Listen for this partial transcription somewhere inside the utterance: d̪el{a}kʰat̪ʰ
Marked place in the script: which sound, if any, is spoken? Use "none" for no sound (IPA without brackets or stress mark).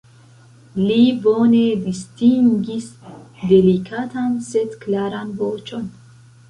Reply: i